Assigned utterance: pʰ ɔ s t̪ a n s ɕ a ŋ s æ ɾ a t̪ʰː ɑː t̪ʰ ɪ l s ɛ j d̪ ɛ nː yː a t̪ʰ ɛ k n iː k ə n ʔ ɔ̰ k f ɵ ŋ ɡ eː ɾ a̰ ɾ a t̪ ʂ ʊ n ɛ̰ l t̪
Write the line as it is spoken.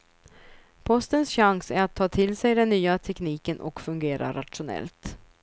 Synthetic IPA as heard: pʰ ɔ s t̪ ə n s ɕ a ŋ s æ ɾ a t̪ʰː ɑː t̪ʰ ɪ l s ɛ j d̪ ɛ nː yː a t̪ʰ ɛ k n iː k ə n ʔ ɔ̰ k f ɵ ŋ ɡ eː ɾ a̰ ɾ a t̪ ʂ ʊ n ɛ̰ l t̪